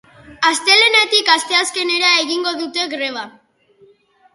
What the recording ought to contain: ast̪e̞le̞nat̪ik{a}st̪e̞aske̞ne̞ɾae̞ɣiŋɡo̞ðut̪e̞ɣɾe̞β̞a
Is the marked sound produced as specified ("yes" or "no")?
yes